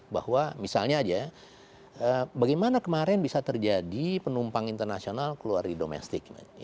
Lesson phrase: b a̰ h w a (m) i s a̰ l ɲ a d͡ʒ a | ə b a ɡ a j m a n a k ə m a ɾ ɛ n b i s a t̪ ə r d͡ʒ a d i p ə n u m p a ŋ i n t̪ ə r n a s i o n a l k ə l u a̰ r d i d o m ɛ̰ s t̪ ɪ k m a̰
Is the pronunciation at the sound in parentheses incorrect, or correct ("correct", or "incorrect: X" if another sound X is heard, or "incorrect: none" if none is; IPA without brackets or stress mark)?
correct